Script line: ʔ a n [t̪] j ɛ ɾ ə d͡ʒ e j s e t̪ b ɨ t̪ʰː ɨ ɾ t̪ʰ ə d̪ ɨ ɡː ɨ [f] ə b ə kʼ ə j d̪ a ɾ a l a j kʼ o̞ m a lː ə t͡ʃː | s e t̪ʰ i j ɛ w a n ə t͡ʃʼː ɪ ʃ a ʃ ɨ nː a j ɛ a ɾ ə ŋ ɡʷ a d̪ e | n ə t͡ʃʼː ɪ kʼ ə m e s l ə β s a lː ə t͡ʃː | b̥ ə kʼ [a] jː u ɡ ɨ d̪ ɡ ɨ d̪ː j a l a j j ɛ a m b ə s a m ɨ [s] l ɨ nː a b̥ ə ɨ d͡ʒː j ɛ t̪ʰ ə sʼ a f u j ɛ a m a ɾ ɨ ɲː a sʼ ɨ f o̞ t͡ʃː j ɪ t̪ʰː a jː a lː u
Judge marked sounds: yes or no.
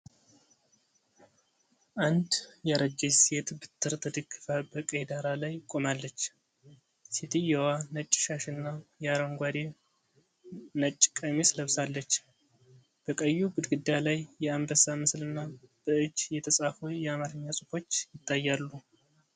no, yes, no, yes

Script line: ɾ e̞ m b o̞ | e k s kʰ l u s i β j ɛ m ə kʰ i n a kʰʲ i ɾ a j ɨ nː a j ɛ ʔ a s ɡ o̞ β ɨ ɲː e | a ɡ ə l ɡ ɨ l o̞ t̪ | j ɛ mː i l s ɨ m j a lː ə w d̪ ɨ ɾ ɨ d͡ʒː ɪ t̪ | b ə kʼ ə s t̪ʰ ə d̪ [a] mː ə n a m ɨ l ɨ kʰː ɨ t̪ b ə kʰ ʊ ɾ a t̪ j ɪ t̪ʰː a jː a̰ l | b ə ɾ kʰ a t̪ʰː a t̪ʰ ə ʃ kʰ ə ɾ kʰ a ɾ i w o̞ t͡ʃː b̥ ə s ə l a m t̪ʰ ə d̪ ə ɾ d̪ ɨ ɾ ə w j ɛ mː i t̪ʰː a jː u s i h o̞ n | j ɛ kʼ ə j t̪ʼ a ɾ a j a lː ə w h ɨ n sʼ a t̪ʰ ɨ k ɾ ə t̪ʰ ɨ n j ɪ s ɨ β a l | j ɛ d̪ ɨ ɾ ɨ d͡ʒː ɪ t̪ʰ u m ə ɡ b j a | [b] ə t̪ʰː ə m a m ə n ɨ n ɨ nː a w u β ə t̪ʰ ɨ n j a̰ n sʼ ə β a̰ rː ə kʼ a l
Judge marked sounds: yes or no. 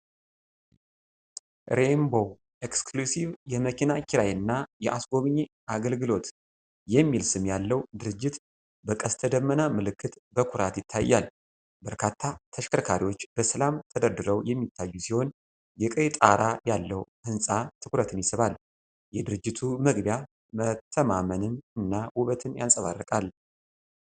no, no

